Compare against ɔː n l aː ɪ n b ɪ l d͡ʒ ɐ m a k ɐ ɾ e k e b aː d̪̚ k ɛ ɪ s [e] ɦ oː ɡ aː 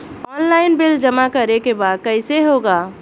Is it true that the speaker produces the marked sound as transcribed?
yes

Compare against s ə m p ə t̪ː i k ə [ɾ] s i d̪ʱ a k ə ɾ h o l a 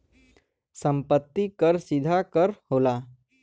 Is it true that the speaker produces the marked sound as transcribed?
yes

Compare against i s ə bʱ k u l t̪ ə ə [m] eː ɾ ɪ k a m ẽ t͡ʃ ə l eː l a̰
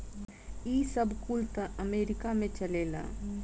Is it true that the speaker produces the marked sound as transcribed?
yes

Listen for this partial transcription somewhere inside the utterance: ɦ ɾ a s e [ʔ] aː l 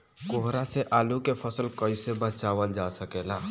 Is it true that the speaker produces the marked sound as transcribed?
yes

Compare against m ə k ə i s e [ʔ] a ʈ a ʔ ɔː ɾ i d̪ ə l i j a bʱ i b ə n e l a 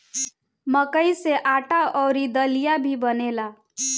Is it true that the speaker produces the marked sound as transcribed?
yes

